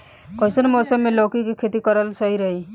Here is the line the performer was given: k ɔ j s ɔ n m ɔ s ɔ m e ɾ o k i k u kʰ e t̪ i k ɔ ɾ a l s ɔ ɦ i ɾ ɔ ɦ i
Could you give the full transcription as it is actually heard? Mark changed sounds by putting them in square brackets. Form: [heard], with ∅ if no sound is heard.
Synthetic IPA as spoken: k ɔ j s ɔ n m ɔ s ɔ m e [l] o k i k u kʰ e t̪ i k ɔ ɾ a l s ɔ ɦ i ɾ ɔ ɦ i

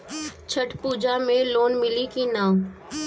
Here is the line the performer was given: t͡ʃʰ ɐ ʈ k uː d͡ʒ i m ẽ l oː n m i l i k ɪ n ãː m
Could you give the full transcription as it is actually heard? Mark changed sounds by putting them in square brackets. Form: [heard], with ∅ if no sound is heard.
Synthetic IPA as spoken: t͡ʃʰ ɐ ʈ [p] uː d͡ʒ [a] m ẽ l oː n m [ɪ] l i k [i] n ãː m

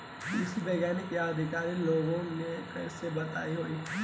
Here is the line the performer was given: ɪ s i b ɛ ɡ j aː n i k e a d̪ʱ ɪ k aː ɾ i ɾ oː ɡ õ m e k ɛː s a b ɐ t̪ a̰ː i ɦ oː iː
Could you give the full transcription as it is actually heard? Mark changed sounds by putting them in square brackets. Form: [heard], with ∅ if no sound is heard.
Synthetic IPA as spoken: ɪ s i b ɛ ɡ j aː n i k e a d̪ʱ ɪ k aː ɾ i [l] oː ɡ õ [n] e k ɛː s [e] b ɐ t̪ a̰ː i ɦ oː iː

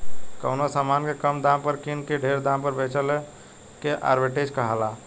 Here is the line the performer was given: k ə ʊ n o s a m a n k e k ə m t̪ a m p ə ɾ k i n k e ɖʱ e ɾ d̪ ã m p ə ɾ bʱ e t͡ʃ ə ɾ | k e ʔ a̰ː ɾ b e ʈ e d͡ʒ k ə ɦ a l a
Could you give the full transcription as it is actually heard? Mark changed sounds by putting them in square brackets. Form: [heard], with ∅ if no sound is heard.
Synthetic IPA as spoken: k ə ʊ n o s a m a n k e k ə m [d̪] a m p ə ɾ k i n k e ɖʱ e ɾ d̪ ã m p ə ɾ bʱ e t͡ʃ ə [l] | k e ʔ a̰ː ɾ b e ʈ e d͡ʒ k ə ɦ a l a

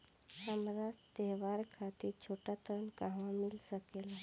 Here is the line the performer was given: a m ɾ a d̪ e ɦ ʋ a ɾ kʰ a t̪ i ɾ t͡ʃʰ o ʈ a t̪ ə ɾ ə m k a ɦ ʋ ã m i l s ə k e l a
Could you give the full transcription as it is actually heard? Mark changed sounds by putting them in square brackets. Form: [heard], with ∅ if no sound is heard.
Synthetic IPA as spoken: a m ɾ a [t̪] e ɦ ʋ a ɾ kʰ a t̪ i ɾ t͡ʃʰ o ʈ a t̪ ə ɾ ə [n] k a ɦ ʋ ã m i l s ə k e l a

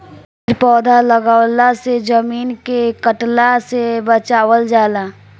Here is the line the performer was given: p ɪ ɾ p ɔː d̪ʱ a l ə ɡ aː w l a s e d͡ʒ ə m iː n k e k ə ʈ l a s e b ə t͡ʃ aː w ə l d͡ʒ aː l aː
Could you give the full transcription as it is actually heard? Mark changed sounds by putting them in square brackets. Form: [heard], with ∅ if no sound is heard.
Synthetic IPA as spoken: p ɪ ɾ p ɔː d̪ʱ a l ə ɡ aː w l a s e d͡ʒ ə m iː n k e k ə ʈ l a s e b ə t͡ʃ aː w ə l d͡ʒ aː l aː

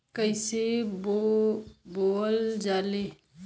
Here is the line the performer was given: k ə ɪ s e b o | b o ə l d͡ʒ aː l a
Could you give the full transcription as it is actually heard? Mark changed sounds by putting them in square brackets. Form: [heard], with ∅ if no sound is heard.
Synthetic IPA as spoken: k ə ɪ s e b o | b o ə l d͡ʒ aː l [e]

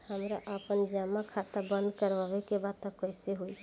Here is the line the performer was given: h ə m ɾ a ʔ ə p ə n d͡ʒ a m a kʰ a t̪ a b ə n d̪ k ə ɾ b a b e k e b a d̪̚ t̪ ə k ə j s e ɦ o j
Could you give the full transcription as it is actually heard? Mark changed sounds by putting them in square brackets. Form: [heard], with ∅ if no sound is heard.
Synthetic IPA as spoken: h ə m ɾ a ʔ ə p ə n d͡ʒ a m a kʰ a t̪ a b ə n d̪ k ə ɾ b a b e k e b a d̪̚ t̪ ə k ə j s e ɦ o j

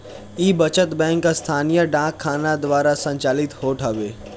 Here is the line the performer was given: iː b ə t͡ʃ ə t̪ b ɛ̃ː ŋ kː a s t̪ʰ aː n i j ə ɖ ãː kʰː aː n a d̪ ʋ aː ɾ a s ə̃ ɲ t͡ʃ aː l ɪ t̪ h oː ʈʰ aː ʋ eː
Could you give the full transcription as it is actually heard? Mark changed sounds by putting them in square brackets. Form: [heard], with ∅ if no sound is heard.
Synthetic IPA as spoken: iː b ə t͡ʃ ə t̪ b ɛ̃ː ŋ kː a s t̪ʰ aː n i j ə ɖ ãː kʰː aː n a d̪ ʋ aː ɾ a s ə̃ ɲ t͡ʃ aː l ɪ t̪ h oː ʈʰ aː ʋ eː

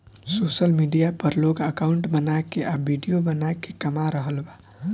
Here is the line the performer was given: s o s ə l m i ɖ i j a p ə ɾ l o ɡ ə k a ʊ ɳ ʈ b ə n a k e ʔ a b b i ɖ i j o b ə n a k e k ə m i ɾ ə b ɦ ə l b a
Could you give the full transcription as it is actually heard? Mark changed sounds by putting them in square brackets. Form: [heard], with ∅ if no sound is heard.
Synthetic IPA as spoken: s o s ə l m i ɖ i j a p ə ɾ l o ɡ ə k a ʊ ɳ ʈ b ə n a k e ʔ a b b i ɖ i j o b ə n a k e k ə m [a] ɾ ə [∅] ɦ ə l b a

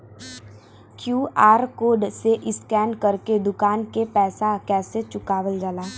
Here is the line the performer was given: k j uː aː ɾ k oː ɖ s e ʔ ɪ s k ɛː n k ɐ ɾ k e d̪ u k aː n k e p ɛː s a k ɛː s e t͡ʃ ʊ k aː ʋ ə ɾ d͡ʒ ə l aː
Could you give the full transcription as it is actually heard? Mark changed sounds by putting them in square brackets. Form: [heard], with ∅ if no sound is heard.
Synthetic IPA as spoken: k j uː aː ɾ k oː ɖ s e ʔ ɪ s k ɛː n k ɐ ɾ k e d̪ [ʊ] k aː n k e p ɛː s a k ɛː s e t͡ʃ ʊ k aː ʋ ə [l] d͡ʒ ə l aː

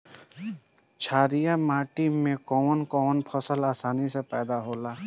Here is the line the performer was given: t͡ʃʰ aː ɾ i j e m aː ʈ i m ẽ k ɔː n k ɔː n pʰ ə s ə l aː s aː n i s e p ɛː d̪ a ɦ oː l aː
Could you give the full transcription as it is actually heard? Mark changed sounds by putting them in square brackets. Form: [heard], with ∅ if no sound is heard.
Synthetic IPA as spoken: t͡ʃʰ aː ɾ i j [a] m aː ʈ i m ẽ k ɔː n k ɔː n pʰ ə s ə l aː s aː n i s e p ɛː d̪ a ɦ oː l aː

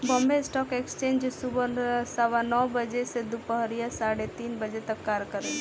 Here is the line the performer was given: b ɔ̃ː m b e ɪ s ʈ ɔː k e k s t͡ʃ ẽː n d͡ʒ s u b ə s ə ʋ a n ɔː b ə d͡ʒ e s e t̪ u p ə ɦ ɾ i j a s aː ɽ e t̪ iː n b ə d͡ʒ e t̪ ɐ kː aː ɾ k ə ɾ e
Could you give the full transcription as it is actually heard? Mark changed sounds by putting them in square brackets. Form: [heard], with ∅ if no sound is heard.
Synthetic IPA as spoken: b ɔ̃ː m b e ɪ s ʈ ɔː k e k s t͡ʃ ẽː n d͡ʒ s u b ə s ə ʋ a n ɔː b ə d͡ʒ e s e [d̪] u p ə ɦ ɾ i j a s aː ɽ e t̪ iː n b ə d͡ʒ e t̪ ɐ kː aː ɾ k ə ɾ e

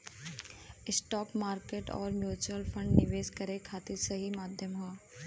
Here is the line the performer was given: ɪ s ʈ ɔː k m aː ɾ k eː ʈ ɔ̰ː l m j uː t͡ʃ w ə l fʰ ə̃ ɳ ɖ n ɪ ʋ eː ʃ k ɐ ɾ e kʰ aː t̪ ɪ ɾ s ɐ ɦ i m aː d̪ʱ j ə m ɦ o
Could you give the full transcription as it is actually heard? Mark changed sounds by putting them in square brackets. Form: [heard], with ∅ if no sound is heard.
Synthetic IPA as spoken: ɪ s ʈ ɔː k m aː ɾ k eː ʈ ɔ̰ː [ɾ] m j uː t͡ʃ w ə l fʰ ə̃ ɳ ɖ n ɪ ʋ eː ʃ k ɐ ɾ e kʰ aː t̪ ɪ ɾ s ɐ ɦ i m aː d̪ʱ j ə m ɦ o

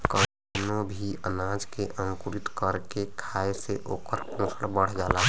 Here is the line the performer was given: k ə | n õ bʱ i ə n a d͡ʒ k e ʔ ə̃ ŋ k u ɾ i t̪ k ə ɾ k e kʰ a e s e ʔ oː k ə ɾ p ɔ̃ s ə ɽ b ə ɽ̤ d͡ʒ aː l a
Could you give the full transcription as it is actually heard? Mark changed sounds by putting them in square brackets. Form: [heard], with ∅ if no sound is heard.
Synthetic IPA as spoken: k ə | n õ bʱ i ə n a d͡ʒ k e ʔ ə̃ ŋ k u ɾ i t̪ k ə ɾ k e kʰ a e s e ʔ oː k ə ɾ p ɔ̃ s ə ɽ b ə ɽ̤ d͡ʒ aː l a

